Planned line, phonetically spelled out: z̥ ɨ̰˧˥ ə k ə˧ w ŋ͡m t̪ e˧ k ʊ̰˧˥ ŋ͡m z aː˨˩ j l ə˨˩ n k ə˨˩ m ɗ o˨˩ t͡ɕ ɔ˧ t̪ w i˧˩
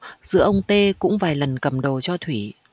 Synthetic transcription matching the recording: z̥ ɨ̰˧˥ ə ʔ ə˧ w ŋ͡m t̪ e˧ k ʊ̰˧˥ ŋ͡m v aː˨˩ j l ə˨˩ n k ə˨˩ m ɗ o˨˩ t͡ɕ ɔ˧ t̪ʰ w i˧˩